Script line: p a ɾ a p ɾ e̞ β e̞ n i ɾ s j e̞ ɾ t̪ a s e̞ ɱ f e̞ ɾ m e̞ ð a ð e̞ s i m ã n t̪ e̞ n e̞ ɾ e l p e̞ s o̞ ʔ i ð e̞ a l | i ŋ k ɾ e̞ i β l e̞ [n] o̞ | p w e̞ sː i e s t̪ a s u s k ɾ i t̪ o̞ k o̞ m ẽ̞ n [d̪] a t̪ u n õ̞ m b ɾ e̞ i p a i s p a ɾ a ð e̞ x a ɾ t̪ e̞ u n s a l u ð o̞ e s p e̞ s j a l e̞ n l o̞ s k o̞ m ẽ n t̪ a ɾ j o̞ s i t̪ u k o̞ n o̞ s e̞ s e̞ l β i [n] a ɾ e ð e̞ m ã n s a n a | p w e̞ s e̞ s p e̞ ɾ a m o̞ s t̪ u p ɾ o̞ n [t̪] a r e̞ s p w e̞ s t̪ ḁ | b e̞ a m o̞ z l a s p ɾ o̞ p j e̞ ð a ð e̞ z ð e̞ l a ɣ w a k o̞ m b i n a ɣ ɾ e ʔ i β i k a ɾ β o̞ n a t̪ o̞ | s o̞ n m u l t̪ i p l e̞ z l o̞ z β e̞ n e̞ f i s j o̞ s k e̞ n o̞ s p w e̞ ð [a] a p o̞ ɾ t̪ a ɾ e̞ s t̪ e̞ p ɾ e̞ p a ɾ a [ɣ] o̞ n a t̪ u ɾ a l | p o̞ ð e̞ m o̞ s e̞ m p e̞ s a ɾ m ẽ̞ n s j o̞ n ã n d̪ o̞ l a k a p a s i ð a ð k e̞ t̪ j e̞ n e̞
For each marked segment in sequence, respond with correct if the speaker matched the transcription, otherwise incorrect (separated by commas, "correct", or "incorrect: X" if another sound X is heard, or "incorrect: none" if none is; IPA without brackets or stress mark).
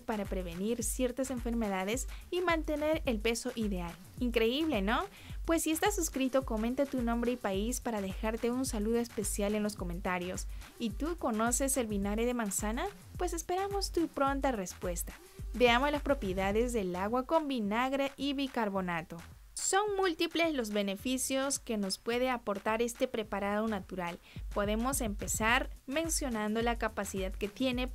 correct, incorrect: t̪, correct, correct, incorrect: e, incorrect: ð